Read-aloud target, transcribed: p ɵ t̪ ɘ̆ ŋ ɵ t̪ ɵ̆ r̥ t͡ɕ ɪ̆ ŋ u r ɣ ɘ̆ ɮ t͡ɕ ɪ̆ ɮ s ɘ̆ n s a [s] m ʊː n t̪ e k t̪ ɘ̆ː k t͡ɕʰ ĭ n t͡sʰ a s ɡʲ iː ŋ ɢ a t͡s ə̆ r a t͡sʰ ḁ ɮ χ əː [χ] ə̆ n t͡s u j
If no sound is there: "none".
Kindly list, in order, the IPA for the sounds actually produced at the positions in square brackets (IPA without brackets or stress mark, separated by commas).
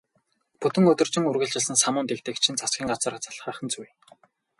none, χ